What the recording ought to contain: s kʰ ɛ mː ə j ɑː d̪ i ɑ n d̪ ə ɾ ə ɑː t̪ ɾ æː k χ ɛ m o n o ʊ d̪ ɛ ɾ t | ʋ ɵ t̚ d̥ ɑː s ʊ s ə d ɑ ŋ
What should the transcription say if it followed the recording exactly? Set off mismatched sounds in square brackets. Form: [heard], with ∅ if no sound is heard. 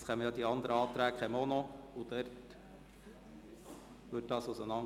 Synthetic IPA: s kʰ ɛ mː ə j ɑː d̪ i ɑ n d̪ ə ɾ ə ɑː t̪ ɾ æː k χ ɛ m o n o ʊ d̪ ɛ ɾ t | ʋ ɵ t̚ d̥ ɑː s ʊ s ə [n] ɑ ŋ